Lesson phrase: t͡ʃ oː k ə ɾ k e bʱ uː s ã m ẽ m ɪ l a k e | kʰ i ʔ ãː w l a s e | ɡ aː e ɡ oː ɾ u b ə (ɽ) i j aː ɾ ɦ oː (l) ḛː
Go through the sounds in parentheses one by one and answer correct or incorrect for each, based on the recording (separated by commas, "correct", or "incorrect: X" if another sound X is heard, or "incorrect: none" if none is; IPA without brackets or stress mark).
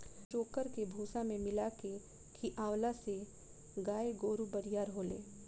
incorrect: ɾ, correct